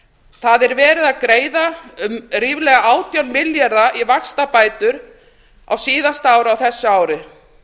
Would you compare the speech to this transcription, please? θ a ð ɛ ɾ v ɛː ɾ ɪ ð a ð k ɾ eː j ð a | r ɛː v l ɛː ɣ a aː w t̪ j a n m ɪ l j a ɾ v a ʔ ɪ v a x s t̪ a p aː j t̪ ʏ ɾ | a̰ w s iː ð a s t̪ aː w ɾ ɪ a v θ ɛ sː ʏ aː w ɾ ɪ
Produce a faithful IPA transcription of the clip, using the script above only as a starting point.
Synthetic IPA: θ a ð ɛ ɾ v ɛː ɾ ɪ ð a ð k ɾ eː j ð a | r iː v l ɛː ɣ a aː w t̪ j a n m ɪ l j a ɾ ð a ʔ i v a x s t̪ a p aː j t̪ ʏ ɾ | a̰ w s iː ð a s t̪ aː w ɾ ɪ a w θ ɛ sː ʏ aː w ɾ ɪ